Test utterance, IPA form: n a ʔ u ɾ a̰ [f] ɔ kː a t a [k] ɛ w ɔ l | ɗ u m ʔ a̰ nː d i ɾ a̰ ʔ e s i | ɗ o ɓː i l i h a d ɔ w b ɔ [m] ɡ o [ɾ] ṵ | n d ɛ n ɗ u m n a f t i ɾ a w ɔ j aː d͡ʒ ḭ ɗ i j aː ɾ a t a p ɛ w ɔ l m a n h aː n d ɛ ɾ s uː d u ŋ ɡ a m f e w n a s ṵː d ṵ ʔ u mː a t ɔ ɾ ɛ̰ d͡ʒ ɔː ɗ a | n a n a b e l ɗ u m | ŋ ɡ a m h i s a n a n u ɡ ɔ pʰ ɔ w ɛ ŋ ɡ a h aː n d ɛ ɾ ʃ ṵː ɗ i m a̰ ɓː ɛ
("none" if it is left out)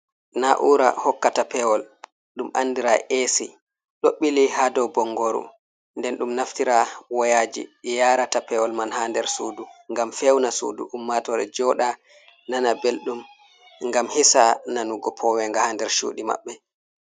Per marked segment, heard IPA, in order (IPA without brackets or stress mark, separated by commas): h, p, ŋ, ɾ